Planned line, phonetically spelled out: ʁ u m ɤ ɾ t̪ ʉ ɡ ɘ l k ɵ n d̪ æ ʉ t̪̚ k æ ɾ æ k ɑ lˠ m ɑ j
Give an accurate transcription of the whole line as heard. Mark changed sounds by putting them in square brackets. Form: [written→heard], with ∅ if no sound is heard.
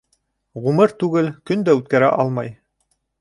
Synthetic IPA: ʁ u m ɤ ɾ t̪ ʉ ɡ ɘ l k ɵ n d̪ æ ʉ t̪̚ k æ ɾ æ [k→ʔ] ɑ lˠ m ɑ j